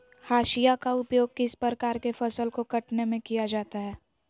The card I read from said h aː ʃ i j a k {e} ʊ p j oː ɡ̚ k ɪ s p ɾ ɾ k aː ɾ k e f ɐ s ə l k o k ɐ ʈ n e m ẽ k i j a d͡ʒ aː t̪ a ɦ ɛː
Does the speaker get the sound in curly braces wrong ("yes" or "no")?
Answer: yes